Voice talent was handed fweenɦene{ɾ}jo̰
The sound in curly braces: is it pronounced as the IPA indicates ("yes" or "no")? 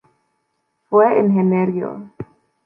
yes